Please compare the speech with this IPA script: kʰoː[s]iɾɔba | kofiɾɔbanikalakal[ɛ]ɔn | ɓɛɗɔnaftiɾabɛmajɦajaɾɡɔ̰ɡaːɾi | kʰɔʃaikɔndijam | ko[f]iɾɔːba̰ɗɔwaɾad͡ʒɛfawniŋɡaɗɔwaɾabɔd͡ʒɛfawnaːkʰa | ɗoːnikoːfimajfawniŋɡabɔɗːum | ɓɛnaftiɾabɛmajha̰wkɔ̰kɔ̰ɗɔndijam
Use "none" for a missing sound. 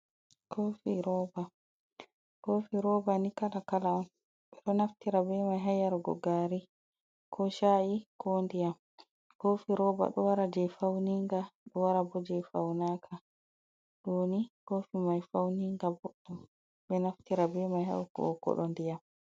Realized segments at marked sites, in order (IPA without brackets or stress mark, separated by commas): f, a, f